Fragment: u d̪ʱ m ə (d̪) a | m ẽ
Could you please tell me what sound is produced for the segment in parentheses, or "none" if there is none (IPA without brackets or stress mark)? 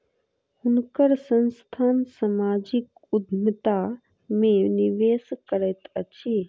t̪